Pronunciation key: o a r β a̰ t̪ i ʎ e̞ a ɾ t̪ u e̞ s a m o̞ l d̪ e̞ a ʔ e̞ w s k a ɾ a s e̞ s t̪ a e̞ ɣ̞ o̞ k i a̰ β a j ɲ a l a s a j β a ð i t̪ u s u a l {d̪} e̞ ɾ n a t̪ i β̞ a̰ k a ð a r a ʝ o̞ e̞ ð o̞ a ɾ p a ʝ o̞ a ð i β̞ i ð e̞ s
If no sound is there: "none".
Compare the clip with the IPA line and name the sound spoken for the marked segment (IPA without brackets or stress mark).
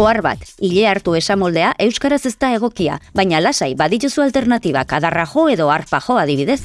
t̪